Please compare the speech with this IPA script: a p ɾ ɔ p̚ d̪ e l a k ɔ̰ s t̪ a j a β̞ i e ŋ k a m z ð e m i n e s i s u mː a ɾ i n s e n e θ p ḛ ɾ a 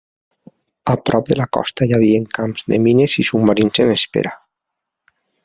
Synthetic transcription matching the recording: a p ɾ ɔ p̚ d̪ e l a k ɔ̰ s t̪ a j a β̞ i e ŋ k a m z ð e m i n e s i s u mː a ɾ i n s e n e s p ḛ ɾ a